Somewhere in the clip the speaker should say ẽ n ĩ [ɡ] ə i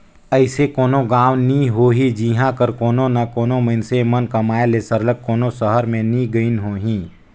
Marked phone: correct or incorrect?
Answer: correct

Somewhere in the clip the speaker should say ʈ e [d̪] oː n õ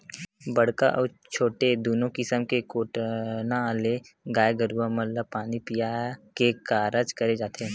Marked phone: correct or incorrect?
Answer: correct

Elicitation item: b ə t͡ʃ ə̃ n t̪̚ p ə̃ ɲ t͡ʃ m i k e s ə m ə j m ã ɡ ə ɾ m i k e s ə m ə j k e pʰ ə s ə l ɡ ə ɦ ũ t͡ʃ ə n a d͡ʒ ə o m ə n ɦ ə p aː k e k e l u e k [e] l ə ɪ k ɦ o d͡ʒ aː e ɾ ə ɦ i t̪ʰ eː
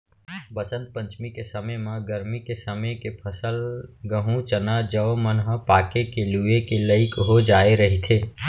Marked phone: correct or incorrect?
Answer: correct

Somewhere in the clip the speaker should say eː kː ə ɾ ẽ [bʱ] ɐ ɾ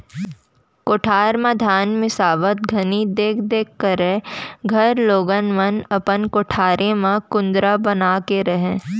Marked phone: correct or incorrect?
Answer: incorrect: ɡʱ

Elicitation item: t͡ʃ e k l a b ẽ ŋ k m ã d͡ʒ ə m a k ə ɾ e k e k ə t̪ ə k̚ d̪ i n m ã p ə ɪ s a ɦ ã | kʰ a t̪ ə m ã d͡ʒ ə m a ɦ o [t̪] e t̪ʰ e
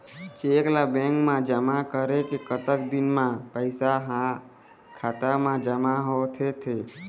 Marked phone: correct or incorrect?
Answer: incorrect: t̪ʰ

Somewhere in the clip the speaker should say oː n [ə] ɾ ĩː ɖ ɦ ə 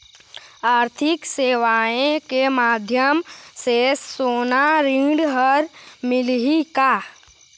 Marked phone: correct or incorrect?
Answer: incorrect: a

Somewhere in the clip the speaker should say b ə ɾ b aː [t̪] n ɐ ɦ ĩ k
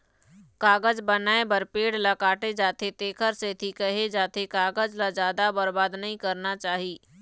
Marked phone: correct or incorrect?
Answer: incorrect: d̪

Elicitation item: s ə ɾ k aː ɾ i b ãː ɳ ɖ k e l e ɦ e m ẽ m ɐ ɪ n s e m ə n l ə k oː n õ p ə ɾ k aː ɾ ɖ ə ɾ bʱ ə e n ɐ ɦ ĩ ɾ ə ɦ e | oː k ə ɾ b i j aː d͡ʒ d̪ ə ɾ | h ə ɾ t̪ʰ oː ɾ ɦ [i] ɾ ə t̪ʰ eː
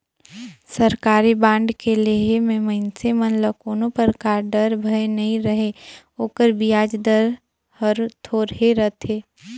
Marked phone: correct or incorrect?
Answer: incorrect: e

